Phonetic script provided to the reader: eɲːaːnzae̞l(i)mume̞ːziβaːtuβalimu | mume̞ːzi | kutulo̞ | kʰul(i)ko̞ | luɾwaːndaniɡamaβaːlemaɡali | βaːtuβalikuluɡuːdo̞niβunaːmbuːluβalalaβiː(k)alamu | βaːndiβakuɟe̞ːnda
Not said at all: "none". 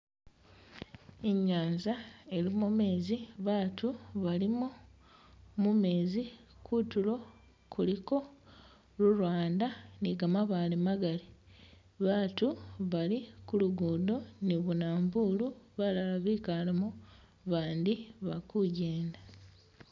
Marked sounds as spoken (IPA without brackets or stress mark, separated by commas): i, i, k